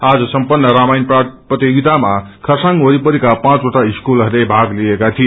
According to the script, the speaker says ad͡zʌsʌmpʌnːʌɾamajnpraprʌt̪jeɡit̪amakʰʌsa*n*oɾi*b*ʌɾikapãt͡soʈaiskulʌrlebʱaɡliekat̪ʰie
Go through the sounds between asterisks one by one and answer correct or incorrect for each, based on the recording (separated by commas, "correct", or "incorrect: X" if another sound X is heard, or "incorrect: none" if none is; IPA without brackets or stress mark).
incorrect: ŋ, incorrect: p